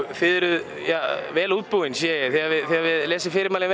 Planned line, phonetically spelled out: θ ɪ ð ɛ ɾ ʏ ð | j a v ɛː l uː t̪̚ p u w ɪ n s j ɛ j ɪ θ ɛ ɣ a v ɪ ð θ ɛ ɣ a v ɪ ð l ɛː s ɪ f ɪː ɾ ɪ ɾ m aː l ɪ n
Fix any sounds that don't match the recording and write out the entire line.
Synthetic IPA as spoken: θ ɪ ð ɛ ɾ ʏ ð | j a v ɛː l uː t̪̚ p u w ɪ n s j ɛ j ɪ θ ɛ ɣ a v ɪ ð θ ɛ ɣ a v ɪ ð l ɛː s ɪ f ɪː ɾ ɪ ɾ m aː l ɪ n